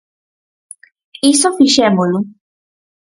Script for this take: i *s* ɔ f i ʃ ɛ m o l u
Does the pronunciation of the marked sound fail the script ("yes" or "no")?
no